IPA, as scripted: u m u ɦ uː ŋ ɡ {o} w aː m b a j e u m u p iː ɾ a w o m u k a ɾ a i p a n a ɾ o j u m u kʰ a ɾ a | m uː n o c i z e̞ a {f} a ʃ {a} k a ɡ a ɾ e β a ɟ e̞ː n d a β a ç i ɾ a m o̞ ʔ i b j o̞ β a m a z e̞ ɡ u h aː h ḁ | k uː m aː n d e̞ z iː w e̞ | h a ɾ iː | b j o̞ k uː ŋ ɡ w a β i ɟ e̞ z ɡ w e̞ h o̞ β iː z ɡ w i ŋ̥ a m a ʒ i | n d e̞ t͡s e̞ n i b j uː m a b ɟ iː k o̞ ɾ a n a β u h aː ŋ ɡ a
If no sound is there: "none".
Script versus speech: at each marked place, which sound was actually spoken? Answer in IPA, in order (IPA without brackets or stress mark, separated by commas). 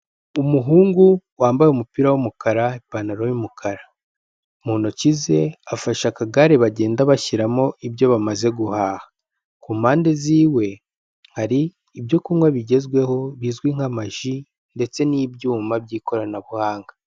u, f, a